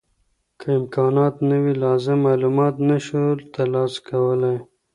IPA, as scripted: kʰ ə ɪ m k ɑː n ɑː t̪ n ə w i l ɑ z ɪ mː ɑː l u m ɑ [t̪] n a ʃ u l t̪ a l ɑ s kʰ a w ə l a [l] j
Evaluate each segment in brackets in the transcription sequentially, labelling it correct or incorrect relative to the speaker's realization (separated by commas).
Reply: correct, incorrect